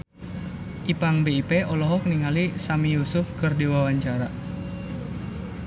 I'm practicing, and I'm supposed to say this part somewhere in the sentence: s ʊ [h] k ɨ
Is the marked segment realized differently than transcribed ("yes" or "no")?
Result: yes